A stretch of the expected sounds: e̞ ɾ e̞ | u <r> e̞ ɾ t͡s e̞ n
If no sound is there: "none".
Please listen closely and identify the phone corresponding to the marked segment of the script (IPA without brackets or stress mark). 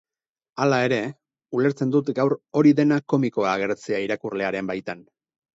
l